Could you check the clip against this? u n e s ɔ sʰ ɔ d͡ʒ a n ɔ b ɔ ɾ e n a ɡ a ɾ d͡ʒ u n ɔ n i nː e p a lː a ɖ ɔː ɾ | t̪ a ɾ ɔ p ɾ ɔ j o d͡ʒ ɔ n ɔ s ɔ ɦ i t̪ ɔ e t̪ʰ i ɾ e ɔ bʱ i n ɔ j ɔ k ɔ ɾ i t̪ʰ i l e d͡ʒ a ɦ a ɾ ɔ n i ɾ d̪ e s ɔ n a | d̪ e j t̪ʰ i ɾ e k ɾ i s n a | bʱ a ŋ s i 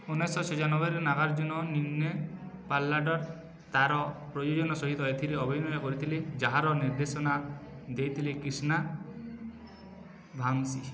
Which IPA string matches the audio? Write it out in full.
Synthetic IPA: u n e s ɔ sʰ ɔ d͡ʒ a n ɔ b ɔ ɾ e n a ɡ a ɾ d͡ʒ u n ɔ n i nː e p a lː a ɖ ɔ ɾ | t̪ a ɾ ɔ p ɾ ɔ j o d͡ʒ ɔ n ɔ s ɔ ɦ i t̪ ɔ e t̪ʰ i ɾ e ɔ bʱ i n ɔ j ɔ k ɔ ɾ i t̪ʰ i l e d͡ʒ a ɦ a ɾ ɔ n i ɾ d̪ e s ɔ n a | d̪ e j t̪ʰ i l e k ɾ i s n a | bʱ a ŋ s i